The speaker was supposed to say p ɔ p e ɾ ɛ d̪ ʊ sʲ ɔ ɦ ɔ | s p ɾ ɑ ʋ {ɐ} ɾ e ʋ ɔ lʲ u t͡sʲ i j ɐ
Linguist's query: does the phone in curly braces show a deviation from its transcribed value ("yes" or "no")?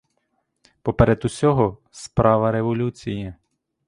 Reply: no